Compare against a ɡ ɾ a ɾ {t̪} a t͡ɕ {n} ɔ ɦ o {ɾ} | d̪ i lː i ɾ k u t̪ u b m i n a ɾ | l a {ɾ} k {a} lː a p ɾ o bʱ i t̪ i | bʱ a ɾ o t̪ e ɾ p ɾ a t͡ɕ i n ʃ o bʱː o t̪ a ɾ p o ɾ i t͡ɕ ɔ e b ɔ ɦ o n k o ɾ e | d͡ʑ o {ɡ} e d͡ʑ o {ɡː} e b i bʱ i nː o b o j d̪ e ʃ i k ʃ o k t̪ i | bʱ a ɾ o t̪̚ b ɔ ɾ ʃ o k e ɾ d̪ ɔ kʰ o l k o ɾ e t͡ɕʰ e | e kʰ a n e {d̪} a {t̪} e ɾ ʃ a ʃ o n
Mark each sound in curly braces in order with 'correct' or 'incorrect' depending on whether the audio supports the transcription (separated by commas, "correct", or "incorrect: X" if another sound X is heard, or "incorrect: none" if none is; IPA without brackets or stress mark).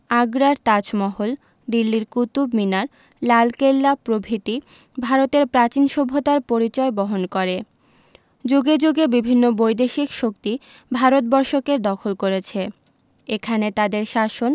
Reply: correct, incorrect: m, incorrect: l, incorrect: l, incorrect: e, correct, incorrect: ɡ, incorrect: t̪, incorrect: d̪